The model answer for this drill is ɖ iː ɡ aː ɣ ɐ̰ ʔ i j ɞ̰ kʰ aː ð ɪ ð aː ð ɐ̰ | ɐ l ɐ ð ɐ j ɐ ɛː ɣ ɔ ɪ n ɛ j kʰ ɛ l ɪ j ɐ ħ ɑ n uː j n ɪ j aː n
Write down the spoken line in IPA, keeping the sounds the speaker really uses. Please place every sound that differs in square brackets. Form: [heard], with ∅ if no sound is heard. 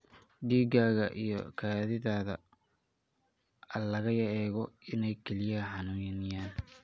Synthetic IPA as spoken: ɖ iː ɡ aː ɣ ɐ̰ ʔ i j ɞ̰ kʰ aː ð ɪ ð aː ð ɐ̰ | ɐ l ɐ [ɣ] ɐ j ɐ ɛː ɣ ɔ ɪ n ɛ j kʰ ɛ l ɪ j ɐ ħ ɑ n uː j n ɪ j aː n